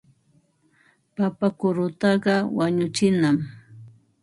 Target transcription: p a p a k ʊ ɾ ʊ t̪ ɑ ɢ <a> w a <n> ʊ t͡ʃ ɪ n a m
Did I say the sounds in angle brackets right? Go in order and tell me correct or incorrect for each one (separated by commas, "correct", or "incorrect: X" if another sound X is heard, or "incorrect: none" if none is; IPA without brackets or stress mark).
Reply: incorrect: ɑ, incorrect: ɲ